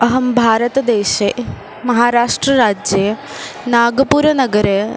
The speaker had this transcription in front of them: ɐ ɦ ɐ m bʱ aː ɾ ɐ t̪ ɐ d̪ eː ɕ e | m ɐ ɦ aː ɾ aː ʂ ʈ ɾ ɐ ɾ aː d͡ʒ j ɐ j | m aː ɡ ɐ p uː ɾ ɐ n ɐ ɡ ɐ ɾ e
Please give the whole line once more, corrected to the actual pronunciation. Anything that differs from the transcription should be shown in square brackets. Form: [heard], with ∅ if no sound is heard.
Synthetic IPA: ɐ ɦ ɐ m bʱ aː ɾ ɐ t̪ ɐ d̪ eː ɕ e | m ɐ ɦ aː ɾ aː ʂ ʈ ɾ ɐ ɾ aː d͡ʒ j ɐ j | [n] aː ɡ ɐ p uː ɾ ɐ n ɐ ɡ ɐ ɾ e

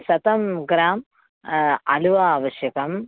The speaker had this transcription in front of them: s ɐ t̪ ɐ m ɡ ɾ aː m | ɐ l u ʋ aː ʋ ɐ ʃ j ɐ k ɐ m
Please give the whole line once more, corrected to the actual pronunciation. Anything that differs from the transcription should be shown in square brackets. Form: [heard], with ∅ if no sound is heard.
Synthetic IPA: s ɐ t̪ ɐ m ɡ ɾ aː m | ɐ l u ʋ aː ʋ ɐ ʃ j ɐ k ɐ m

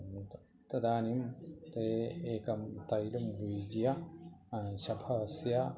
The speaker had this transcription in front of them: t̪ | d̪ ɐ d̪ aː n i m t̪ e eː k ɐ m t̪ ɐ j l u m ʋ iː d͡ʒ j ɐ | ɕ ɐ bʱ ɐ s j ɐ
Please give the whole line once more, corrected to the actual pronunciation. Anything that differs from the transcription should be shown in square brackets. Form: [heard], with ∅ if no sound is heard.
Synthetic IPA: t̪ | [t̪] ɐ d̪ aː n i m t̪ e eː k ɐ m t̪ ɐ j l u m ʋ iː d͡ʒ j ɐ | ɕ ɐ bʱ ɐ s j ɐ

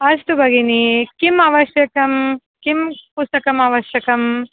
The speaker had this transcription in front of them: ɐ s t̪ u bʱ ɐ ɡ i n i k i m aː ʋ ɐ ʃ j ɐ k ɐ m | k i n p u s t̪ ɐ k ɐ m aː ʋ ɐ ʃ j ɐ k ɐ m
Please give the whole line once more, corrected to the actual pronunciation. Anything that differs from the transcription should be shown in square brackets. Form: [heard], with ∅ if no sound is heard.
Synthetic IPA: ɐ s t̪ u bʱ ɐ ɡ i n i k i m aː ʋ ɐ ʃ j ɐ k ɐ m | k i [m] p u s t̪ ɐ k ɐ m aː ʋ ɐ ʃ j ɐ k ɐ m

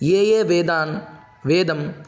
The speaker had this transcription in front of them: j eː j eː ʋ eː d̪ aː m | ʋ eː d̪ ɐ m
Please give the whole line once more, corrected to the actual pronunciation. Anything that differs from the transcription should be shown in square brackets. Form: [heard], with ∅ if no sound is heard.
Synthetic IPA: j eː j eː ʋ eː d̪ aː [n] | ʋ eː d̪ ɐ m

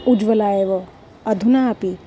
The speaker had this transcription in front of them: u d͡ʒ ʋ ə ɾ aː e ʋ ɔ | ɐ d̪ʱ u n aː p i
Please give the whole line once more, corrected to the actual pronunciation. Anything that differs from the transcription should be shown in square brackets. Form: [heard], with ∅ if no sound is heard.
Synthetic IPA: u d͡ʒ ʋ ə [l] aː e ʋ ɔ | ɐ d̪ʱ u n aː p i

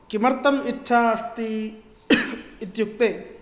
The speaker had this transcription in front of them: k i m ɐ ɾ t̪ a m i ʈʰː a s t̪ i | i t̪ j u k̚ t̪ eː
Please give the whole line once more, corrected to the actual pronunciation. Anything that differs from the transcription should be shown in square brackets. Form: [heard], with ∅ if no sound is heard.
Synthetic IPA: k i m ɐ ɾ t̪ [ɐ] m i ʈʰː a s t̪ i | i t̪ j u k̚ t̪ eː

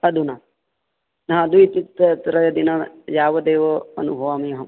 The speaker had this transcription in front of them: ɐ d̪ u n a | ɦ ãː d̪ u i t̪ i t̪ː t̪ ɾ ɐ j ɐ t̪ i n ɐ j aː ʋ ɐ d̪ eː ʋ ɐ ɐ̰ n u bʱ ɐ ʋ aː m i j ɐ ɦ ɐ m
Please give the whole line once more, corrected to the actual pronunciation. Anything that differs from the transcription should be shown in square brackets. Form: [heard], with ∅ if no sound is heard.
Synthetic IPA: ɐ d̪ u n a | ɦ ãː d̪ u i t̪ i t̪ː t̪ ɾ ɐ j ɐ [d̪] i n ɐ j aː ʋ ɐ d̪ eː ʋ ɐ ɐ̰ n u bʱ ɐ ʋ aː m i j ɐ ɦ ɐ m

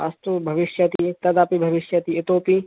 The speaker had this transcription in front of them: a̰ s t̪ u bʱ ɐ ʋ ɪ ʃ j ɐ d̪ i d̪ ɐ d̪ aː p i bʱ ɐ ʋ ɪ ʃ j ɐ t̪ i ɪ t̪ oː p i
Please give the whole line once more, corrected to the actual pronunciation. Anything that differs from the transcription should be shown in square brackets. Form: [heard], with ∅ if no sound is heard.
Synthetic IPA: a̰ s t̪ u bʱ ɐ ʋ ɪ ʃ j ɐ [t̪] i [t̪] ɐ d̪ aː p i bʱ ɐ ʋ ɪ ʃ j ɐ t̪ i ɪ t̪ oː p i

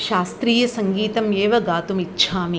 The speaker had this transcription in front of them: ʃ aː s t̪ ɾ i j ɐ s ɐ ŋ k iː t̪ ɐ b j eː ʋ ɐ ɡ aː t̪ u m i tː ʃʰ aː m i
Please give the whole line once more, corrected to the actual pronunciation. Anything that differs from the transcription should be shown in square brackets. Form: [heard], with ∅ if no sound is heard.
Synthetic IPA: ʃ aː s t̪ ɾ [iː] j ɐ s ɐ ŋ [ɡ] iː t̪ ɐ [m] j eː ʋ ɐ ɡ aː t̪ u m i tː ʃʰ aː m i

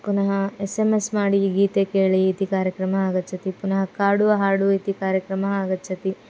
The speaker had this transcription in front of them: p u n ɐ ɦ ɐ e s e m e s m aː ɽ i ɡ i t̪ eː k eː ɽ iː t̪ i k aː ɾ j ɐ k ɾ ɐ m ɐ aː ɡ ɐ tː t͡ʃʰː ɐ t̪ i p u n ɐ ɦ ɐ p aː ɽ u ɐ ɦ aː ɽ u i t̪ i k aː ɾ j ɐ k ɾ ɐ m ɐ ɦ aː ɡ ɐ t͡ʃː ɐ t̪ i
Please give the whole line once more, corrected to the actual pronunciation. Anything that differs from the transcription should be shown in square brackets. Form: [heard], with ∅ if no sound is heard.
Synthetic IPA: p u n ɐ ɦ ɐ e s e m e s m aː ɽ i ɡ [iː] t̪ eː k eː [ɭ] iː t̪ i k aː ɾ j ɐ k ɾ ɐ m ɐ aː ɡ ɐ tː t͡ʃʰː ɐ t̪ i p u n ɐ ɦ ɐ [k] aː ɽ u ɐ ɦ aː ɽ u i t̪ i k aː ɾ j ɐ k ɾ ɐ m ɐ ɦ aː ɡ ɐ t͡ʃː ɐ t̪ i

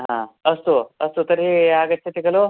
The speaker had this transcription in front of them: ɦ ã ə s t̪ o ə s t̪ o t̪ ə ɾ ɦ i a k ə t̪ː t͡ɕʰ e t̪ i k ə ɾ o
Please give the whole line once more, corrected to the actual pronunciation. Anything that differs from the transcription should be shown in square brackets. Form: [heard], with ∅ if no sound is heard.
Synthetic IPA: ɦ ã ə s t̪ o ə s t̪ o t̪ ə ɾ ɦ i a [ɡ] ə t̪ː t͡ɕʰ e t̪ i k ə [l] o

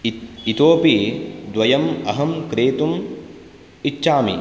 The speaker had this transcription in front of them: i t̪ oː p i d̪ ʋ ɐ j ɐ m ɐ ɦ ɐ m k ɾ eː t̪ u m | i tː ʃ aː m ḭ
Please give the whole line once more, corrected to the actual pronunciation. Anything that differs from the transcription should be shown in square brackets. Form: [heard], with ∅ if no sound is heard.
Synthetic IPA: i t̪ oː p i d̪ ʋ ɐ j ɐ m ɐ ɦ ɐ m k ɾ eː t̪ u m | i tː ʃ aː m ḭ

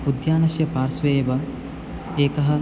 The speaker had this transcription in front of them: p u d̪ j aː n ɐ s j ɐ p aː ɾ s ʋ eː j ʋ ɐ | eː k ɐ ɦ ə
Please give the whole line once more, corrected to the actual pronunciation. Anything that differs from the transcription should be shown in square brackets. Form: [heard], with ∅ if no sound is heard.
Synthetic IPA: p u d̪ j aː n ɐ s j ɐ p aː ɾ s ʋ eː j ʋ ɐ | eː k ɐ ɦ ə

